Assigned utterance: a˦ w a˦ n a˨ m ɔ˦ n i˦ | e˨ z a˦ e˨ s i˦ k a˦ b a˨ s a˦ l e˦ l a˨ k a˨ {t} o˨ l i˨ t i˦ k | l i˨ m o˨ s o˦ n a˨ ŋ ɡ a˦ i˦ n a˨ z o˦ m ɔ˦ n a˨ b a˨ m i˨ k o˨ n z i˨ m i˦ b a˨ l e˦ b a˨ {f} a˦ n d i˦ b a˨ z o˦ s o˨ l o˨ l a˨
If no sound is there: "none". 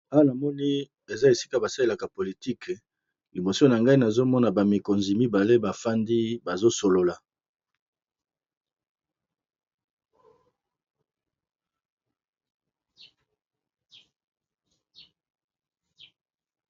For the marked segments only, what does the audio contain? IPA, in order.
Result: p, f

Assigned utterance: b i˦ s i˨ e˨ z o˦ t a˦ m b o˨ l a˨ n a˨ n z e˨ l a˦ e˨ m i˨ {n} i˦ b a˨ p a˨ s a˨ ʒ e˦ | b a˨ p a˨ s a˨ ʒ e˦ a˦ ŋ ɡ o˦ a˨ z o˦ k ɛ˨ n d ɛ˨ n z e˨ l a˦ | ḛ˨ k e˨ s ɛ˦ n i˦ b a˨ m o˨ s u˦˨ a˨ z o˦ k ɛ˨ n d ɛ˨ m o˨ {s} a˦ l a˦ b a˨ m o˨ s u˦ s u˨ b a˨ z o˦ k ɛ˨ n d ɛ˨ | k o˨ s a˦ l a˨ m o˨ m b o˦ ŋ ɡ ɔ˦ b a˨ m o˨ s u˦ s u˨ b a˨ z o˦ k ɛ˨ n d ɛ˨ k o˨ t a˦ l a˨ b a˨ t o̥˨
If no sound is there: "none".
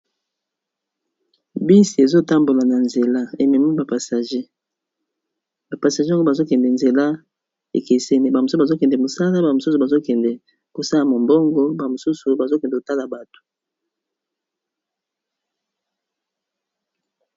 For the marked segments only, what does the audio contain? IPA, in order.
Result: m, s

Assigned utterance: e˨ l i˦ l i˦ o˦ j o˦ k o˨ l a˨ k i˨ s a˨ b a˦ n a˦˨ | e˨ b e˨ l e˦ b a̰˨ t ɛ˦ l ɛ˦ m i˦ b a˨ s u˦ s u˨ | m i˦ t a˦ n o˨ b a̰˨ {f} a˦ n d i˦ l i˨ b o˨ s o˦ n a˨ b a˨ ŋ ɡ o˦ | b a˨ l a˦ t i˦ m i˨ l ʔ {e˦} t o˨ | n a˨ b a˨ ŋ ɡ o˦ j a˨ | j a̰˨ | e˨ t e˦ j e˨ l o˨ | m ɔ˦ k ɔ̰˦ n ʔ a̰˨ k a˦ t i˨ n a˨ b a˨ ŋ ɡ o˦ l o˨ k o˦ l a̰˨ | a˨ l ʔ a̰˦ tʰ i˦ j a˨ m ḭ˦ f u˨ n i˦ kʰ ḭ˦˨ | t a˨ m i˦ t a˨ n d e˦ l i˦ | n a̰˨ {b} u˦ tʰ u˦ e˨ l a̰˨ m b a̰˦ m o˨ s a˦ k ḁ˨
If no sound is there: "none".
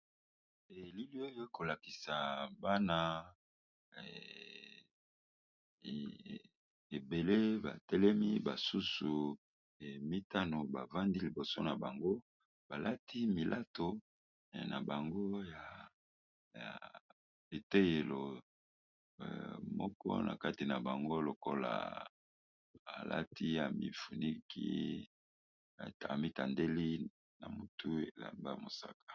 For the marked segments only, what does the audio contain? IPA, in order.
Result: v, a˦, m

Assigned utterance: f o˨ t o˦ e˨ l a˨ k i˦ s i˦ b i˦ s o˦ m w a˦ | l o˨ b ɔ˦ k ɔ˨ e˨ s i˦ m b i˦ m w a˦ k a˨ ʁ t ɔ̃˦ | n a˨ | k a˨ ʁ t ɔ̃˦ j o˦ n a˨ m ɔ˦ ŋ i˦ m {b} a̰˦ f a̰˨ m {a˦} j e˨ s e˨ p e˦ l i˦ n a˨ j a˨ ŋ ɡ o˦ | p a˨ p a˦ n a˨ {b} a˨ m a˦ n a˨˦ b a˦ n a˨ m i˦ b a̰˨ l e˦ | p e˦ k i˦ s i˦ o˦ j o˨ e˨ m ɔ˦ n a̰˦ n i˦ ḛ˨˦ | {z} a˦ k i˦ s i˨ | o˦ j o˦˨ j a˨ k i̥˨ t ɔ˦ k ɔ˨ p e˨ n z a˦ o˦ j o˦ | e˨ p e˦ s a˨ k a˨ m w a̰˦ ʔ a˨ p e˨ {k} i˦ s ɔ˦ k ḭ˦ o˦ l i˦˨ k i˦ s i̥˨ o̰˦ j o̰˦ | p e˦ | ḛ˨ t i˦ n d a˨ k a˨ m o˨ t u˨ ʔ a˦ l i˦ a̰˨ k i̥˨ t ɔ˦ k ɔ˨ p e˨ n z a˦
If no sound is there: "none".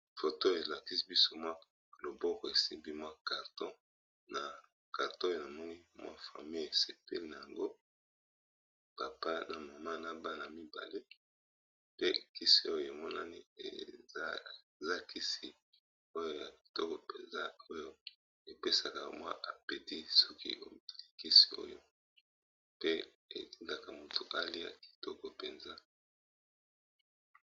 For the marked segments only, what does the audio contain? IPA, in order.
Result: w, i˦, m, z, t

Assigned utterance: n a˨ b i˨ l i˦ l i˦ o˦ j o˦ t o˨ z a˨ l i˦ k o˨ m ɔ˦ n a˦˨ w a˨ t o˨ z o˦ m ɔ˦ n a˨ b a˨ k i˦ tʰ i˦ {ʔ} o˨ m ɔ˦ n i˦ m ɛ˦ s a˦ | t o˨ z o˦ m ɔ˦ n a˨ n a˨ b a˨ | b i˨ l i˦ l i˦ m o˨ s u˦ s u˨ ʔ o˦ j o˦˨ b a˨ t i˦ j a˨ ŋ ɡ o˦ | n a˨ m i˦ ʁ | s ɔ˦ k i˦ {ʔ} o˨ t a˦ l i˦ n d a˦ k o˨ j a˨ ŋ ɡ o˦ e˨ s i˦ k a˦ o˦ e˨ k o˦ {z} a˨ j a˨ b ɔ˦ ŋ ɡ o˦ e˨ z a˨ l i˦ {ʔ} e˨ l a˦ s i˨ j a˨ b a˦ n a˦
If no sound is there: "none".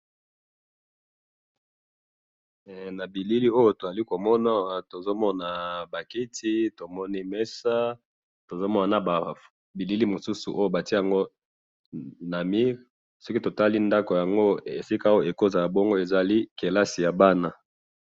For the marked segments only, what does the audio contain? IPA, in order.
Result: t, t, z, k

